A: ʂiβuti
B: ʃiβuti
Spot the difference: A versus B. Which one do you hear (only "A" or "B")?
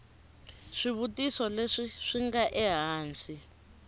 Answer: A